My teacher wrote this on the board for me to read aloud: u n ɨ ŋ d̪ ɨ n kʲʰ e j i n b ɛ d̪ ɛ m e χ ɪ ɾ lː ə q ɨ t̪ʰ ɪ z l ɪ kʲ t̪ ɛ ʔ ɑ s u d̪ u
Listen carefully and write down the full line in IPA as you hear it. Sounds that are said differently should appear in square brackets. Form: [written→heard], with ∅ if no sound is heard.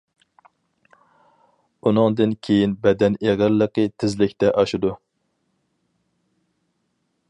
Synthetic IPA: u n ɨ ŋ d̪ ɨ n kʲʰ e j i n b ɛ d̪ ɛ [m→n] e [χ→ʁ] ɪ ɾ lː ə q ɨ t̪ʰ ɪ z l ɪ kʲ t̪ ɛ ʔ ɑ [s→ʃ] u d̪ u